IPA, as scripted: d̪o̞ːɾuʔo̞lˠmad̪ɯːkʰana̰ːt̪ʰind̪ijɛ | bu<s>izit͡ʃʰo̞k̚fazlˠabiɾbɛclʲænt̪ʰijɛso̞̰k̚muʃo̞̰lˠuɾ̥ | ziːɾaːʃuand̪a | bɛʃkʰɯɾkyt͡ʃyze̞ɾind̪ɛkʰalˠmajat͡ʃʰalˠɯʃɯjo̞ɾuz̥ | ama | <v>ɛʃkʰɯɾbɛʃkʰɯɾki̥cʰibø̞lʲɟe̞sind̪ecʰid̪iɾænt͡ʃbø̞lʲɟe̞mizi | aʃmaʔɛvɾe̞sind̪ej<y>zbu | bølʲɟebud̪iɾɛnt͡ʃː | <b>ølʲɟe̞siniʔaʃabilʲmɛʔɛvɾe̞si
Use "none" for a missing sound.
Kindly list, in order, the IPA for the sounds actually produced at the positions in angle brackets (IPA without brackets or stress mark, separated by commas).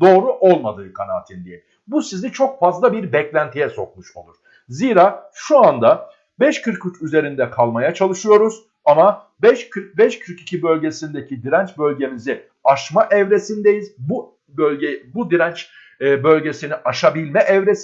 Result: s, b, i, b